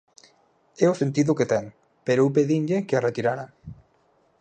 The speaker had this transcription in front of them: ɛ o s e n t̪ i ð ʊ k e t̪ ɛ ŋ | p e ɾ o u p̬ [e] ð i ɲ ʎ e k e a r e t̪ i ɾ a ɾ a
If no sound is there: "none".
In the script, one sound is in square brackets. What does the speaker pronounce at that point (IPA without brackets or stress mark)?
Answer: e